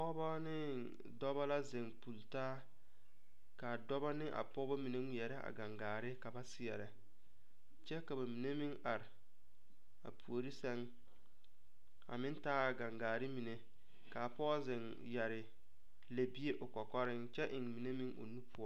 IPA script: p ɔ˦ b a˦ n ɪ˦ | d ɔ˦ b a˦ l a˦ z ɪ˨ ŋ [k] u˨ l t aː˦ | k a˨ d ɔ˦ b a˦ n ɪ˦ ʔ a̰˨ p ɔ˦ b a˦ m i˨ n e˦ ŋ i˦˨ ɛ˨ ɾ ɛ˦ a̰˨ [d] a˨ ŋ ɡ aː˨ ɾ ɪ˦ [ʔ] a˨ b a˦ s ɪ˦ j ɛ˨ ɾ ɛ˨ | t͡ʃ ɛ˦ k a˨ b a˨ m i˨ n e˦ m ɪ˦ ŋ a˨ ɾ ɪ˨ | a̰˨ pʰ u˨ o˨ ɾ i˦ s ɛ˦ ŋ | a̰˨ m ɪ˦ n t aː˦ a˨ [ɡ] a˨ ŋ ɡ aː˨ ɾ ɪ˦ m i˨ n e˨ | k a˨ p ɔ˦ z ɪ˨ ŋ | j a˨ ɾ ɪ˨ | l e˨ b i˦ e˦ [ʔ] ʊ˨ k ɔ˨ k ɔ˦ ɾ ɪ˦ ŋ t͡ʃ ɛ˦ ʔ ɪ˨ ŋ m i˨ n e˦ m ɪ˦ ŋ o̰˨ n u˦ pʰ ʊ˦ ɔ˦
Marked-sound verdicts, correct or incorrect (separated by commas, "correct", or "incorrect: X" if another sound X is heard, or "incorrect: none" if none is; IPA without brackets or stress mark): incorrect: p, incorrect: ɡ, incorrect: k, correct, correct